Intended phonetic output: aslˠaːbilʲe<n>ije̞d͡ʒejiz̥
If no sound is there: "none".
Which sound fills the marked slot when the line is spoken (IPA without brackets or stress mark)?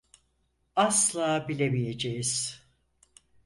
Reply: m